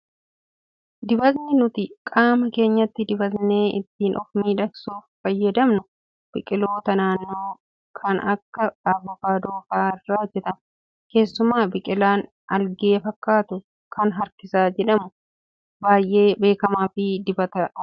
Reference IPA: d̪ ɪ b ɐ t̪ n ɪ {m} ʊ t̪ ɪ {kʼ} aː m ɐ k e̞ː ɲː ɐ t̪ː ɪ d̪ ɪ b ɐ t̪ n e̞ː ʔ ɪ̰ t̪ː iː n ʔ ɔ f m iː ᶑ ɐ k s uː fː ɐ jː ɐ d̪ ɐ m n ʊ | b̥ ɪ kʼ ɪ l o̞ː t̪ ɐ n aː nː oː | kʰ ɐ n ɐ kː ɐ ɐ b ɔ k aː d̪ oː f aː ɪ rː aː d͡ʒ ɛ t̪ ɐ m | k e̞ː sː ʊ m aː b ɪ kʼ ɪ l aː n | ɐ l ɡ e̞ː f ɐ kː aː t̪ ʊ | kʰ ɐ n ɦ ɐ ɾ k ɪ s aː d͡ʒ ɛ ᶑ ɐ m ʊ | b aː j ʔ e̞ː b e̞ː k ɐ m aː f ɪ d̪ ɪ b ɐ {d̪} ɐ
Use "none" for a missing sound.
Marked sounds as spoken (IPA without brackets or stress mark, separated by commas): n, kʼ, t̪